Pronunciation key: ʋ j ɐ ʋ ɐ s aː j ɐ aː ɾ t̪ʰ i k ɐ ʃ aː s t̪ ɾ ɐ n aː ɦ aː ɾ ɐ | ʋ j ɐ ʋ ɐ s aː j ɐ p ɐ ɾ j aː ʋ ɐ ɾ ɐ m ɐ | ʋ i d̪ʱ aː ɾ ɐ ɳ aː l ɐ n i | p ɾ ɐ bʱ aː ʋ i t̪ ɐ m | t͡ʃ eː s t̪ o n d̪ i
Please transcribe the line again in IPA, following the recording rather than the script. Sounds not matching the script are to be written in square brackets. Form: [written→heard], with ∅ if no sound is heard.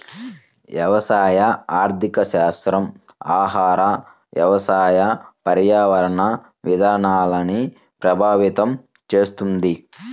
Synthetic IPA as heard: ʋ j ɐ ʋ ɐ s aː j ɐ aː ɾ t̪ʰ i k ɐ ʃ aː s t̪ ɾ ɐ [n→m] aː ɦ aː ɾ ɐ | ʋ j ɐ ʋ ɐ s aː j ɐ p ɐ ɾ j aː ʋ ɐ ɾ ɐ [m→ɳ] ɐ | ʋ i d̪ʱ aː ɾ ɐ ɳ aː l ɐ n i | p ɾ ɐ bʱ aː ʋ i t̪ ɐ m | t͡ʃ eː s t̪ [o→u] n d̪ i